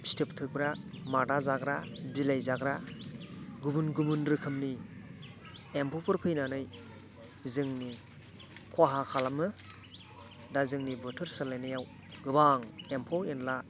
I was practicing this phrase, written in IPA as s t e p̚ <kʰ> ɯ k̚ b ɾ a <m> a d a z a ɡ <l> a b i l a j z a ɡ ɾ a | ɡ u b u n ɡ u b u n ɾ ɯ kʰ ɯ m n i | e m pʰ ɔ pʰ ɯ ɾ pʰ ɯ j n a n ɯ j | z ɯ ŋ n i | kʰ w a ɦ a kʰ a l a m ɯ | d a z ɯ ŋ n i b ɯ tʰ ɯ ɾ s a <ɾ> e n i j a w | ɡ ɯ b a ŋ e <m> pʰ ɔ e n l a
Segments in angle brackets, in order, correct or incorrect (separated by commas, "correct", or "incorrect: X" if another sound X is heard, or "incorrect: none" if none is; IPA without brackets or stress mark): incorrect: tʰ, correct, incorrect: ɾ, incorrect: l, correct